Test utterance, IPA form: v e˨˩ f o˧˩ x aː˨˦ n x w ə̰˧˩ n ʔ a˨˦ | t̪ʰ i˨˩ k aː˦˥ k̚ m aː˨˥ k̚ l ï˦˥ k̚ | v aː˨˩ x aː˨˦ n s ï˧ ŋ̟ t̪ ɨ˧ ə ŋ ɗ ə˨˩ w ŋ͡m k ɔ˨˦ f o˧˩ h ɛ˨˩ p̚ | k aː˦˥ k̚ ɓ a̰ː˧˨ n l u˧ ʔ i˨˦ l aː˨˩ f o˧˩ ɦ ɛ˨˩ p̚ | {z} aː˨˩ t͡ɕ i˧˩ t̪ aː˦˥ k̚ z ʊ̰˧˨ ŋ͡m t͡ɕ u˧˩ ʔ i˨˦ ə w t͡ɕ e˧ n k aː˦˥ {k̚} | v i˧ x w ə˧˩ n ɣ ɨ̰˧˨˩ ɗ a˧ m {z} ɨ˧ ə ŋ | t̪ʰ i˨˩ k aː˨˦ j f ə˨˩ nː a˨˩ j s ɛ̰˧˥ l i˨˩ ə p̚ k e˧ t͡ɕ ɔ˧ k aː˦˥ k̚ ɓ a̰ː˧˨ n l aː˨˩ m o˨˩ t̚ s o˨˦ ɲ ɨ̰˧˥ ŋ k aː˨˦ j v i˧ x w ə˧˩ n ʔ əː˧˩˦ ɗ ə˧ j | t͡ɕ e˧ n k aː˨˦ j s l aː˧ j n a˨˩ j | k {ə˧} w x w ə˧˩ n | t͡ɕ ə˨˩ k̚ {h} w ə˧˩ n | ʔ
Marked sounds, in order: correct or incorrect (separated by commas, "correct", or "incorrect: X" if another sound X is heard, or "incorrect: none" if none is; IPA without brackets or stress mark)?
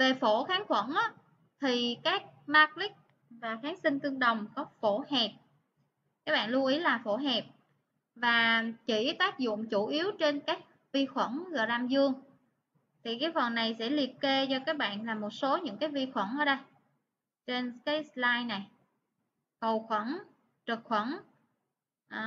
incorrect: v, correct, correct, incorrect: ə˨˩, incorrect: x